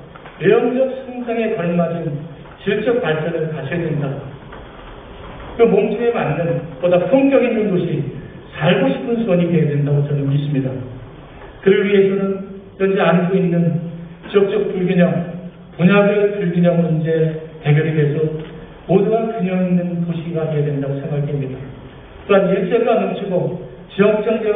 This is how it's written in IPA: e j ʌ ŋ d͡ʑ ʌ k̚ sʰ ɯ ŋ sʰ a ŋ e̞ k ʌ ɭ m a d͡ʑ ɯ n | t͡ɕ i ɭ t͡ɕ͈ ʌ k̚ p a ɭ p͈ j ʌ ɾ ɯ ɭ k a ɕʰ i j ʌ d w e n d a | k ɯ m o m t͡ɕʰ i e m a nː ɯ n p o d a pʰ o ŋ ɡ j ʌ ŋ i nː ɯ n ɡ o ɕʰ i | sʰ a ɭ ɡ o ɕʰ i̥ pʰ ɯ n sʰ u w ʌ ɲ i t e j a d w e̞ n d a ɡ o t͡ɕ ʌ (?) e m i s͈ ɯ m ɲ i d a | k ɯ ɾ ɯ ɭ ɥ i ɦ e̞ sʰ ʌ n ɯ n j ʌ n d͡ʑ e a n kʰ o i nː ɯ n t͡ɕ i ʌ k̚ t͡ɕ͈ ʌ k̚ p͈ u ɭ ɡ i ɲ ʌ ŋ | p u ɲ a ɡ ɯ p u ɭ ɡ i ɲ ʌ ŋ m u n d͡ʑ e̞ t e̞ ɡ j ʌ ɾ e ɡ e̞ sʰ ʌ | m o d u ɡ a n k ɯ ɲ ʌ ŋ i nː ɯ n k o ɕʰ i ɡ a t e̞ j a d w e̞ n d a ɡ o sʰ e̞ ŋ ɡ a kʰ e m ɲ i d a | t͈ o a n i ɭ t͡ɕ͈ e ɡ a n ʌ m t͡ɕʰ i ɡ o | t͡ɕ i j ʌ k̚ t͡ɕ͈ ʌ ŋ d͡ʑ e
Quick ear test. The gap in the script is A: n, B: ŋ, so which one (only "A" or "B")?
A